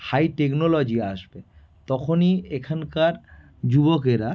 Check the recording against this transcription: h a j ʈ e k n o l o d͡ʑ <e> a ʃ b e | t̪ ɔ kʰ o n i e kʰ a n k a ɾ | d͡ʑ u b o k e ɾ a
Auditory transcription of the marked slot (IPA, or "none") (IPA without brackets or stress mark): i